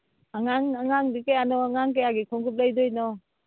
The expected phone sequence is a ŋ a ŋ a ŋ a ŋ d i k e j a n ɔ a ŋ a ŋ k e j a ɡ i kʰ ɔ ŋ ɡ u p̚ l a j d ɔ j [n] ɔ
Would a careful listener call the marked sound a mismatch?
no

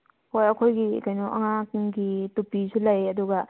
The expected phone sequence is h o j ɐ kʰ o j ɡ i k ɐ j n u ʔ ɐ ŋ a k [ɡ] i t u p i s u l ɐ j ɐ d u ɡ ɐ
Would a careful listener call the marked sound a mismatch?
no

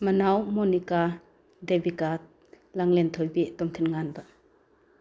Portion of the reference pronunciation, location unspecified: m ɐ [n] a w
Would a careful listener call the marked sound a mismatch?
no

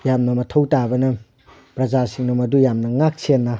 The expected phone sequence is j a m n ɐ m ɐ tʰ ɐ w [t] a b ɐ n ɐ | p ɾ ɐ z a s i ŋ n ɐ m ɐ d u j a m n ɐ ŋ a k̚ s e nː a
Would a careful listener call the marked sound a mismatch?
no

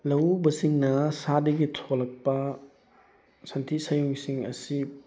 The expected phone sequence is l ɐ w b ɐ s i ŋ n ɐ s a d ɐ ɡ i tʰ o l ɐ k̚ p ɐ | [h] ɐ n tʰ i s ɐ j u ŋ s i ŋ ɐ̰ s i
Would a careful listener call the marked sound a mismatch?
yes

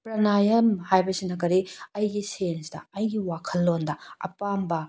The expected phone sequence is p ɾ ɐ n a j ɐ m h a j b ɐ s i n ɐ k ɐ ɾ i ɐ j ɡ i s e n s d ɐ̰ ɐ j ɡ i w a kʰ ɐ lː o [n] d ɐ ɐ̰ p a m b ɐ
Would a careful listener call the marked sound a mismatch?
no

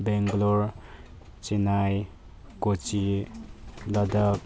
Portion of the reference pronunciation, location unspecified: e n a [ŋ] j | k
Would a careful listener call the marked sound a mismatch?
yes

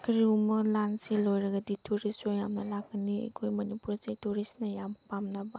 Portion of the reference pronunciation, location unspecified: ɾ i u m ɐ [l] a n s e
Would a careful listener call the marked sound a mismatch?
no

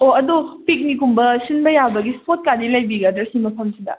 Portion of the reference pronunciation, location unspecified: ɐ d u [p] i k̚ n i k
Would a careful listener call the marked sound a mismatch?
no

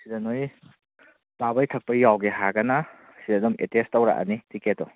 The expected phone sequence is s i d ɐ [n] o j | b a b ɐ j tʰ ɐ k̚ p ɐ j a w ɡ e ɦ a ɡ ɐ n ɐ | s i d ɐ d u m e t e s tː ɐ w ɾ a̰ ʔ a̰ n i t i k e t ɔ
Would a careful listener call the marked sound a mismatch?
no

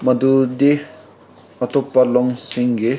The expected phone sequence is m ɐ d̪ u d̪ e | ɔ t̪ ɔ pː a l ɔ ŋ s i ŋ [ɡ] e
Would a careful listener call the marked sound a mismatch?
no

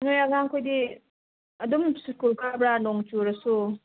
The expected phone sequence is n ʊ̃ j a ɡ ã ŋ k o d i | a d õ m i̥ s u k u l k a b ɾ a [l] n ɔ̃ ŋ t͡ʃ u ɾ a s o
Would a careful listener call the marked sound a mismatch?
yes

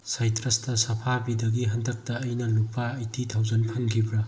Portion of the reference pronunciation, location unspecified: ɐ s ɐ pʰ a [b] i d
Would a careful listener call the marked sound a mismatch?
no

